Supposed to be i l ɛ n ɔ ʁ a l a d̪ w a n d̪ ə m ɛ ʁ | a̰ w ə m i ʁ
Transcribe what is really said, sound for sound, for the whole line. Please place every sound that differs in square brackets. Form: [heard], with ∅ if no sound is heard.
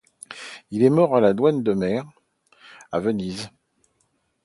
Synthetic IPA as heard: i l ɛ [m] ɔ ʁ a l a d̪ w a n d̪ ə m ɛ ʁ | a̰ [v] ə [n] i [z]